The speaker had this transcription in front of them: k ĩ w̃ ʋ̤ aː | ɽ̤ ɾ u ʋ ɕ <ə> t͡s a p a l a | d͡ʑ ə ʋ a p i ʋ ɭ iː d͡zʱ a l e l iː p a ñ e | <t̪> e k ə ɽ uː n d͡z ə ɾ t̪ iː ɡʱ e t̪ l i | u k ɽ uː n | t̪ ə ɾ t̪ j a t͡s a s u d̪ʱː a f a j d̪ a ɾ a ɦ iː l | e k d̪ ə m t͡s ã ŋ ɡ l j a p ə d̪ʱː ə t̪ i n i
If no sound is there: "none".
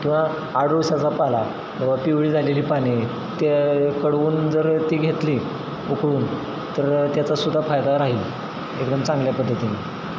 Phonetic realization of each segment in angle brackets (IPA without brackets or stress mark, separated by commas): a, t̪